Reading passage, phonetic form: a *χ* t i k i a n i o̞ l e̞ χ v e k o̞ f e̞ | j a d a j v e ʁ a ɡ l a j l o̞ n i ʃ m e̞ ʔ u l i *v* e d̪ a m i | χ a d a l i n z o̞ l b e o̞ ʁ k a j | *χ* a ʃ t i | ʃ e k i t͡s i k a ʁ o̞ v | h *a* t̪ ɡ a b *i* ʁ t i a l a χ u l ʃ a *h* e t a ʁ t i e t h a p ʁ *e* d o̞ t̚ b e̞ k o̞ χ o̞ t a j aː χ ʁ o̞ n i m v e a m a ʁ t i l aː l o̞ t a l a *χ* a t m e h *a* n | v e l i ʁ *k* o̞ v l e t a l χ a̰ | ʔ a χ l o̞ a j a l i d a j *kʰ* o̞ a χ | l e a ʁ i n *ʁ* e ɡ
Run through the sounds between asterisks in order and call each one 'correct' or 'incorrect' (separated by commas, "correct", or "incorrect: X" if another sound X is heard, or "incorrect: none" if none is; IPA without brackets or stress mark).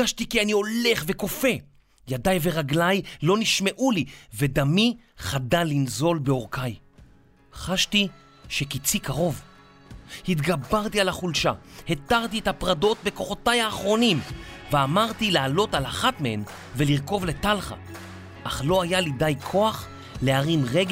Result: incorrect: ʃ, correct, correct, incorrect: i, incorrect: a, correct, incorrect: a, correct, incorrect: e, correct, correct, correct